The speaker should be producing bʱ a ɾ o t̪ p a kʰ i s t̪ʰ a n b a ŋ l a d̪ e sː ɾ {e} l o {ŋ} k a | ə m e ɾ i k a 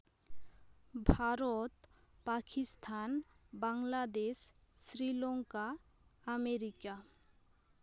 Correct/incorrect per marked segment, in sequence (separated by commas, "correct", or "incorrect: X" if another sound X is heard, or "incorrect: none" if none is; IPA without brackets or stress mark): incorrect: i, correct